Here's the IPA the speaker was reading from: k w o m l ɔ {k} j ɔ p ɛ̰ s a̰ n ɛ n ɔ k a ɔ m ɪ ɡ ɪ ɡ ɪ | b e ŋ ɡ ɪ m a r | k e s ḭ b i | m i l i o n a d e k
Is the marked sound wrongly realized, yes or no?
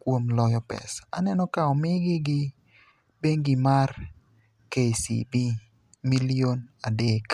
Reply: yes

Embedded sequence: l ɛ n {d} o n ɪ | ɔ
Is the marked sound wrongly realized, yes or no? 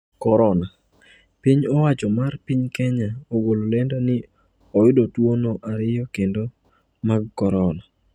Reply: no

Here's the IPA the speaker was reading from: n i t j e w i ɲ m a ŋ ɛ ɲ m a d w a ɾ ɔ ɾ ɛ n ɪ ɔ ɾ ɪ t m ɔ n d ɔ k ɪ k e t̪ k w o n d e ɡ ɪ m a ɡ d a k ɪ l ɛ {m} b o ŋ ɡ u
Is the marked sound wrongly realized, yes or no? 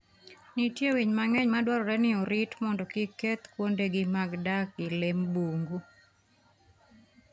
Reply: no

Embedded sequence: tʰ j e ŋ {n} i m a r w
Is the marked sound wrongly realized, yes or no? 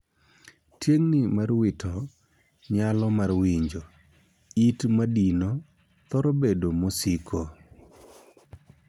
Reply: no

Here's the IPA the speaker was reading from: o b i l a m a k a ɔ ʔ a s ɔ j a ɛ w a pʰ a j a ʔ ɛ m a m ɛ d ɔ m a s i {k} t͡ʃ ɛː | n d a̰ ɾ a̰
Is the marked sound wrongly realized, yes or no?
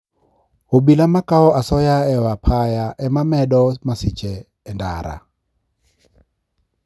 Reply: yes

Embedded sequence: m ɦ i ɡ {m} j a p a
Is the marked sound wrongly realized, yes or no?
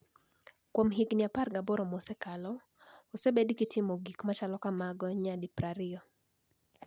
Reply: yes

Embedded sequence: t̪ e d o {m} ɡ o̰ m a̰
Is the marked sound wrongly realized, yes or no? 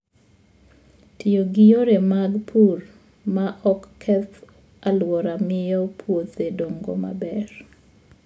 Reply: yes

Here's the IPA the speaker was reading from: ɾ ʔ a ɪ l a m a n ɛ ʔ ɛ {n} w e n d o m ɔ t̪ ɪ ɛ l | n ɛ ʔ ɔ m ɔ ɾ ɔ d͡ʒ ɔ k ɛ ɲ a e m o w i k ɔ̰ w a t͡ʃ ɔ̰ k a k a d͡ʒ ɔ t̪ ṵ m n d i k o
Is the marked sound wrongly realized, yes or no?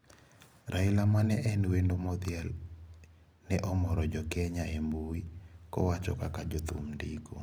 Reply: no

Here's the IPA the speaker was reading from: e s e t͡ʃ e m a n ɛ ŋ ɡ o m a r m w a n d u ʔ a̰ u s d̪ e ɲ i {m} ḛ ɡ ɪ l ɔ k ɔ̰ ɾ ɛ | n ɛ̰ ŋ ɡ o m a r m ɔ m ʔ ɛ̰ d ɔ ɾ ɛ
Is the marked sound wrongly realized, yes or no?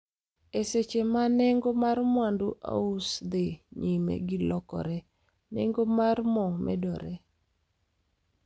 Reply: no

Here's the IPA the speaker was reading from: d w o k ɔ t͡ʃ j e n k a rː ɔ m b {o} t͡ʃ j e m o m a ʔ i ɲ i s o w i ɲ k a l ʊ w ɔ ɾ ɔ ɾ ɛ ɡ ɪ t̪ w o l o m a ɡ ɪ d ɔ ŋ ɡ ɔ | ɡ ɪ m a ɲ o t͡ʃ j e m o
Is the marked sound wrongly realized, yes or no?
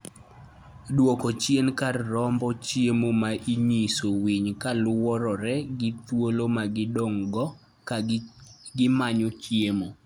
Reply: yes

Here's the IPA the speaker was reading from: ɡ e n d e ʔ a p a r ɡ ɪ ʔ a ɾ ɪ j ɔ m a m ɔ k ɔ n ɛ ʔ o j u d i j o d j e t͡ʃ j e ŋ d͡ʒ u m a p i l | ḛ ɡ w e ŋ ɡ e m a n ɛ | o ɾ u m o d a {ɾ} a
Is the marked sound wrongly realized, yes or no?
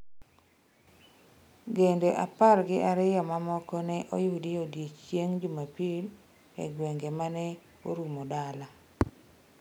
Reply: yes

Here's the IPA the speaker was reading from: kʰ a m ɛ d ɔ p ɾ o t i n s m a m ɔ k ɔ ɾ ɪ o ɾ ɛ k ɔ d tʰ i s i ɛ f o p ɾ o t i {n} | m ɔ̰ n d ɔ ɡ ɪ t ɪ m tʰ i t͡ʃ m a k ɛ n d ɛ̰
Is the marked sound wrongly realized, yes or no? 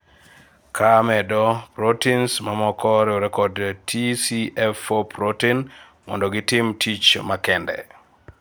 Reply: no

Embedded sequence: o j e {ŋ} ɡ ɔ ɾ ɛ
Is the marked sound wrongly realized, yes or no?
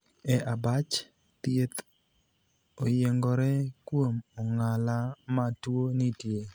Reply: no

